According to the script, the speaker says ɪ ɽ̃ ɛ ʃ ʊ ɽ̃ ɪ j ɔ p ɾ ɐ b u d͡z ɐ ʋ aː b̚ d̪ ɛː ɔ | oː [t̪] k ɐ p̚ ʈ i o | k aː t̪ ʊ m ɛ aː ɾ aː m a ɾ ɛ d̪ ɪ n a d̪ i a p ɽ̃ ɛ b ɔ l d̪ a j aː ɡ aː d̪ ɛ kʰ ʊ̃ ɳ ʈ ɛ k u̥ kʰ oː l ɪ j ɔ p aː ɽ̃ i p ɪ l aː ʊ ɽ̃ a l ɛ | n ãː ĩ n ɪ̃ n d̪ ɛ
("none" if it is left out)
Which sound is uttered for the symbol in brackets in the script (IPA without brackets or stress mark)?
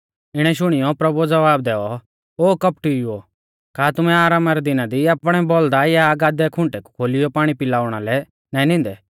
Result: none